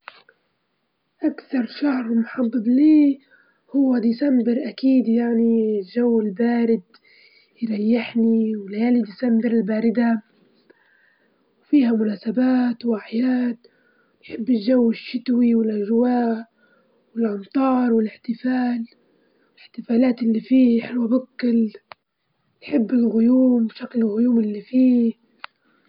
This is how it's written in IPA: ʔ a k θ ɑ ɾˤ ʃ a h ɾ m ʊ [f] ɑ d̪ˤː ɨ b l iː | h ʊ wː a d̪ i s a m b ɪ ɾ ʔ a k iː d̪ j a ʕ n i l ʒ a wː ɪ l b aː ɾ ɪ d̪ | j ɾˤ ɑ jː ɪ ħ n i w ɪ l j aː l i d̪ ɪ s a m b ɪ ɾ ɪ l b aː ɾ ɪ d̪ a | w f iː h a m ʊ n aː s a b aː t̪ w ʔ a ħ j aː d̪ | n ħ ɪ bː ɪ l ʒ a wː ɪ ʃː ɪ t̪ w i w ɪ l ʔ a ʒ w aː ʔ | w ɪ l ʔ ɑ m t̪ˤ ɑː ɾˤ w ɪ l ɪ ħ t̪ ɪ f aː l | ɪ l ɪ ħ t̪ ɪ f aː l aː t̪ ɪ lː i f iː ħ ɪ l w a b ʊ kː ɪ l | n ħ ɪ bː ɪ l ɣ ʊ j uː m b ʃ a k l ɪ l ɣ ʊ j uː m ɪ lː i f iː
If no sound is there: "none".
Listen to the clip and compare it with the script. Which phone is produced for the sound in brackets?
ħ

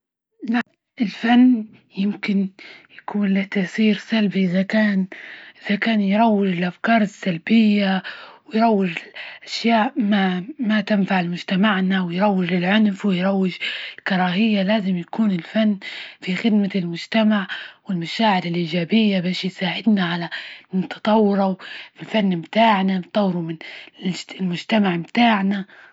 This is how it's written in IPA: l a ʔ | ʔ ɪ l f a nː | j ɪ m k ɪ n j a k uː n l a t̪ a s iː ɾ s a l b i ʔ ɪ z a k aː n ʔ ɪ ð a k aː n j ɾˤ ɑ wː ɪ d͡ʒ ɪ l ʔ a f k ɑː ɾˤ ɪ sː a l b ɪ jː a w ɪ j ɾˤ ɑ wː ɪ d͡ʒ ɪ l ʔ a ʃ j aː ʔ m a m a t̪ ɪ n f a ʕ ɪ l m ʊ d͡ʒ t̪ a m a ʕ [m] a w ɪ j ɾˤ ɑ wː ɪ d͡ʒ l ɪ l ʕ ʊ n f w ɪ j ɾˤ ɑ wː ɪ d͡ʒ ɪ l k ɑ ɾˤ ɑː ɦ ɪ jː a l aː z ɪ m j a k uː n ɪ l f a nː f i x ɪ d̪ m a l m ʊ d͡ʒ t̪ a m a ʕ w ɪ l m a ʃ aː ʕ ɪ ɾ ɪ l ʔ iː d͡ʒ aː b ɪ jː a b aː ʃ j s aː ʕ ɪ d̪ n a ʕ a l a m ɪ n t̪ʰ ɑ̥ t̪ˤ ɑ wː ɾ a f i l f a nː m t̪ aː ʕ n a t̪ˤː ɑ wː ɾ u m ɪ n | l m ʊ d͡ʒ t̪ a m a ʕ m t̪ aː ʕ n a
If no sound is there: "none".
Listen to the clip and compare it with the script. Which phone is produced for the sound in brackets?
n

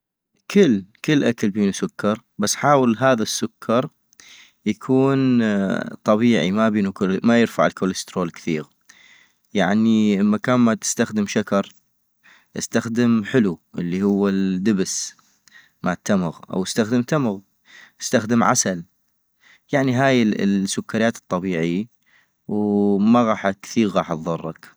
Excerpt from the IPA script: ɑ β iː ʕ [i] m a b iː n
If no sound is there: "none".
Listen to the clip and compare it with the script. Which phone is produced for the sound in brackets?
i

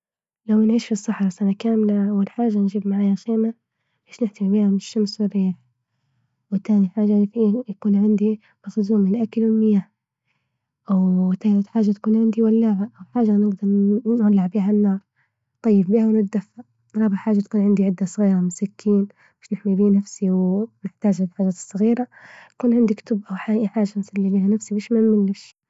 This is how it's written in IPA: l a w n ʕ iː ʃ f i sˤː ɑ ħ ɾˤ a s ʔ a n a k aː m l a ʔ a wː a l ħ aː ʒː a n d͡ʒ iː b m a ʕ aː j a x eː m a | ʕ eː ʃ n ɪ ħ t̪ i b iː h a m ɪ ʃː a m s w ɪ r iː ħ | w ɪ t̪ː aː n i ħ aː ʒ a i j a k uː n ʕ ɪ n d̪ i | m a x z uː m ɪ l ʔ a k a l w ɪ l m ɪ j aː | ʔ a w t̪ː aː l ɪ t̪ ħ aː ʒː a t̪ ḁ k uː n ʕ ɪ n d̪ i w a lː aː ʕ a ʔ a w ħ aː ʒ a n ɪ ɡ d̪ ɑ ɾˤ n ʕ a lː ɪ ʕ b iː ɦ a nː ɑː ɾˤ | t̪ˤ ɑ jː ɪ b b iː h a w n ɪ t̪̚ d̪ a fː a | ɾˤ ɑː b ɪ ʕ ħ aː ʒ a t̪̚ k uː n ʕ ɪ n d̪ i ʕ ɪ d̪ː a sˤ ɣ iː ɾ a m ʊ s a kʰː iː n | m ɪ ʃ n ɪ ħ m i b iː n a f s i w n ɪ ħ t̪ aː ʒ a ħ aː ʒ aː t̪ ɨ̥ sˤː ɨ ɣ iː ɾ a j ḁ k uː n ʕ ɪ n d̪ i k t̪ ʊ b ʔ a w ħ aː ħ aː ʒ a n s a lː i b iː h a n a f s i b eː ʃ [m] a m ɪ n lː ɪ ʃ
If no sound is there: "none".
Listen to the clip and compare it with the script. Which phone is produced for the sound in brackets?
m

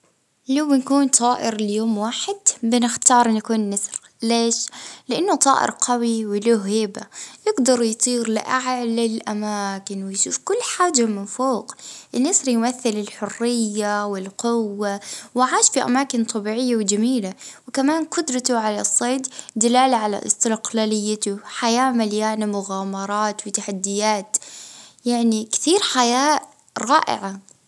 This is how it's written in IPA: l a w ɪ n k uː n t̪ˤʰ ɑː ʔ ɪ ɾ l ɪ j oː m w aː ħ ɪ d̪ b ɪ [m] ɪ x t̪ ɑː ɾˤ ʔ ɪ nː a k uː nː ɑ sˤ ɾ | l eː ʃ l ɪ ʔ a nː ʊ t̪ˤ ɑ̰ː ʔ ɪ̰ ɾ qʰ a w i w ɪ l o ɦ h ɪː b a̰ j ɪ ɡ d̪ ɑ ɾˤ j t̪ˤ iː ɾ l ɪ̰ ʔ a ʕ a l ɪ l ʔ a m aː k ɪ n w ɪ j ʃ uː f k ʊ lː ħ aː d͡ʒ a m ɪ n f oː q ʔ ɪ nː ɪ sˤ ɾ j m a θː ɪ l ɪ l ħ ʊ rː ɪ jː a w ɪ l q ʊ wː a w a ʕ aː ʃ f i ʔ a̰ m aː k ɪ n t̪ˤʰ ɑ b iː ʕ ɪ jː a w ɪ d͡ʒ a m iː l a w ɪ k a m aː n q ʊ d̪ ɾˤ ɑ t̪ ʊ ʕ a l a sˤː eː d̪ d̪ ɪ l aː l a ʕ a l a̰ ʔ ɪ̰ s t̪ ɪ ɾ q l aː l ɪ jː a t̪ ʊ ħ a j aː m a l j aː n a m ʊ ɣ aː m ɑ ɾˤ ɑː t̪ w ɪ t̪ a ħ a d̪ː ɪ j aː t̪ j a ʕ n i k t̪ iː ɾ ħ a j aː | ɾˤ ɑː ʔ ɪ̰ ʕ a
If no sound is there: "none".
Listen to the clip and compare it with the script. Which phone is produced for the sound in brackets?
n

